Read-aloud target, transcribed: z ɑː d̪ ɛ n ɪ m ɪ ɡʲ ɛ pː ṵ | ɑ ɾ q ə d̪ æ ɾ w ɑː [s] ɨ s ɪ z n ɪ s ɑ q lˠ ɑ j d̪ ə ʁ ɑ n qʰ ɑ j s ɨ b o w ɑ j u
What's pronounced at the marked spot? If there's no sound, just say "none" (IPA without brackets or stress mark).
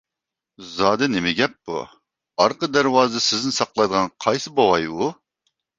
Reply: z